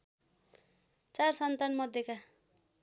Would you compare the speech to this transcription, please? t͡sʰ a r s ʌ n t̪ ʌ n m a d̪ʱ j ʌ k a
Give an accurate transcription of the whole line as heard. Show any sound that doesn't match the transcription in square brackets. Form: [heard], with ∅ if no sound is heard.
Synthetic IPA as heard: [t͡s] a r s ʌ n t̪ [a] n m [ʌ] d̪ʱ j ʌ k a

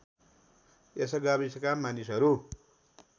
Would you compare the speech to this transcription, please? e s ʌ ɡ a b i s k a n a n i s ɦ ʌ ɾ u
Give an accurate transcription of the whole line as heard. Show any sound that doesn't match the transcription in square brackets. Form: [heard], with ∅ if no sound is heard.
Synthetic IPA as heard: e s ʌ ɡ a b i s k a [m] a n i s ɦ ʌ ɾ u

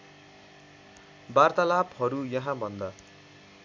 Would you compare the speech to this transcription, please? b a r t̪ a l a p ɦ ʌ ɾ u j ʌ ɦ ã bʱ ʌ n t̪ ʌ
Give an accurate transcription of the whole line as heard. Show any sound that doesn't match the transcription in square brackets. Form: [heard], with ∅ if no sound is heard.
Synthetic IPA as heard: b a r t̪ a l a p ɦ ʌ ɾ u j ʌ ɦ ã bʱ ʌ n [d̪] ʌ

